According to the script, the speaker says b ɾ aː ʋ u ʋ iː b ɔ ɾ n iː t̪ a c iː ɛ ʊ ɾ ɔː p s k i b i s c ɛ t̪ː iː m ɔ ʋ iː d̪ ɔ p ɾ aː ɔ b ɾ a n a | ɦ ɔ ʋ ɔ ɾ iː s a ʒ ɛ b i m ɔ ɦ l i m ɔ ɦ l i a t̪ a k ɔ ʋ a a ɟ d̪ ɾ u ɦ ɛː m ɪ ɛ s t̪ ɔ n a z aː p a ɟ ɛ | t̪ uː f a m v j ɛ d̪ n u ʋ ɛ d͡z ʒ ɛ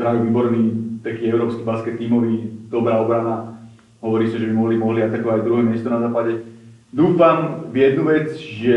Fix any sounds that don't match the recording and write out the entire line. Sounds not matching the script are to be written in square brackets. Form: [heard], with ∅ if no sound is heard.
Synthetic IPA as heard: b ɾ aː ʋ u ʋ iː b ɔ ɾ n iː t̪ a [k] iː ɛ ʊ ɾ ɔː p s k i b [a] s [k] ɛ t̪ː iː m ɔ ʋ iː d̪ ɔ [b] ɾ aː ɔ b ɾ a n a | ɦ ɔ ʋ ɔ ɾ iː s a ʒ ɛ b i m ɔ ɦ l i m ɔ ɦ l i a t̪ a k ɔ ʋ a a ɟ d̪ ɾ u ɦ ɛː m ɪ ɛ s t̪ ɔ n a z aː p a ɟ ɛ | [d̪] uː f a m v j ɛ d̪ n u ʋ ɛ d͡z ʒ ɛ